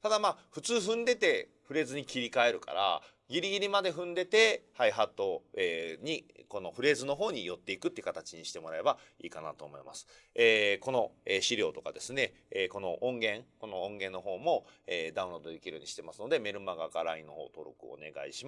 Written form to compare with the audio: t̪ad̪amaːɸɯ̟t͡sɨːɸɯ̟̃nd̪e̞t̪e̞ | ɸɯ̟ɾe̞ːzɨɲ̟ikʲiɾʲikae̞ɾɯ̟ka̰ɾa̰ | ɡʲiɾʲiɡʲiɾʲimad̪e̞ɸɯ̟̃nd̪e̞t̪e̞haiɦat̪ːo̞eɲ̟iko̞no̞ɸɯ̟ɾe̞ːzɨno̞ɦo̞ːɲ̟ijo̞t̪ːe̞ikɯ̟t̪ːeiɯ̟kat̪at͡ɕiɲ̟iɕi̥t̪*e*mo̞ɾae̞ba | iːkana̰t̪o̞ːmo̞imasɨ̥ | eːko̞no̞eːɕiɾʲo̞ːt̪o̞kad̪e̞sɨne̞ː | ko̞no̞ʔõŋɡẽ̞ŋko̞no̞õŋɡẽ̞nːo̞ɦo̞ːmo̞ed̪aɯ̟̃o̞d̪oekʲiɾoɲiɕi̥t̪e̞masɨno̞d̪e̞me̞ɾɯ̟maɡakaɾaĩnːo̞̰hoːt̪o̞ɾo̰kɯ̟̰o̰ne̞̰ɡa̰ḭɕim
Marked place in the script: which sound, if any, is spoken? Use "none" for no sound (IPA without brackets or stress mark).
e